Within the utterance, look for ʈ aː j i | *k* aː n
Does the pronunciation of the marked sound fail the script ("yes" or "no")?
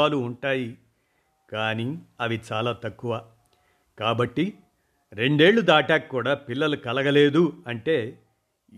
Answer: no